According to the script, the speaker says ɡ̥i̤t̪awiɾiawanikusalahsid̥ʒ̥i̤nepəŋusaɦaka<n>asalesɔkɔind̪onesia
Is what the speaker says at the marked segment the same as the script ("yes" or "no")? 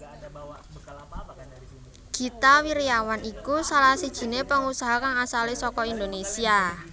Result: no